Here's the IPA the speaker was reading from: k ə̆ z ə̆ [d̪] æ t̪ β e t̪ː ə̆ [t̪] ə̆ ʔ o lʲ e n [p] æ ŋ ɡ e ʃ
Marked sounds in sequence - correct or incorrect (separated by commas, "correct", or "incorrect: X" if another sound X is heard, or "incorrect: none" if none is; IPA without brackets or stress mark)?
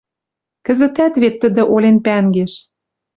incorrect: t̪, incorrect: d̪, correct